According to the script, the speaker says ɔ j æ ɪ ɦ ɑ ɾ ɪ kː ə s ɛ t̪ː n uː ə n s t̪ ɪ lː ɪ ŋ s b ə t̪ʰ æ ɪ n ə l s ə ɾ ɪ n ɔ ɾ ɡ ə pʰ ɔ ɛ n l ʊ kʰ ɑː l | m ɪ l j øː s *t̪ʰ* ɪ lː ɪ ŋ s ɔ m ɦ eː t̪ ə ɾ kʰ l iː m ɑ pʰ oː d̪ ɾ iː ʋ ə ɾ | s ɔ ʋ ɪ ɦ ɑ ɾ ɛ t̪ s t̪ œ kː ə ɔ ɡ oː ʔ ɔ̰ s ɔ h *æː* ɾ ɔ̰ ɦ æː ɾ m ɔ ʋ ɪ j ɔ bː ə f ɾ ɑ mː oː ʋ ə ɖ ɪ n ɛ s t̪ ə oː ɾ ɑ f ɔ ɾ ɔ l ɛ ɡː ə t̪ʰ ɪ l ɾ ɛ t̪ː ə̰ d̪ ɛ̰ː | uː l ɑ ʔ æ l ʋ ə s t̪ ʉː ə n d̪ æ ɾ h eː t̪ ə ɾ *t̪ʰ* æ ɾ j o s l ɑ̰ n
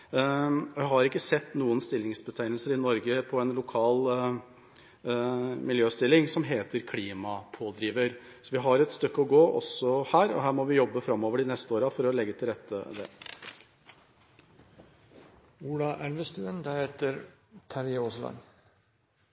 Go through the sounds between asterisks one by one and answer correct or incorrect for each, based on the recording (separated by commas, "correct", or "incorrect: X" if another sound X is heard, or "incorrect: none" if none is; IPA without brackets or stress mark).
incorrect: t̪, correct, correct